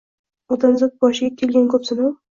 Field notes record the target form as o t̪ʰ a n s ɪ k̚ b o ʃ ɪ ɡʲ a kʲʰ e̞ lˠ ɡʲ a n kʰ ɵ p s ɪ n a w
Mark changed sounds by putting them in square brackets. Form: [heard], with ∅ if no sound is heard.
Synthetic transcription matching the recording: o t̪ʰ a n [z] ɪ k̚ b [ɒ] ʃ ɪ ɡʲ a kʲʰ e̞ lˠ ɡʲ a n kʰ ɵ p s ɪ n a w